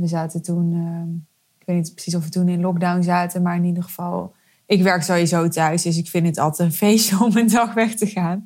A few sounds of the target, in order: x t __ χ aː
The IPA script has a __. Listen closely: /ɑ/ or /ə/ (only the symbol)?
ə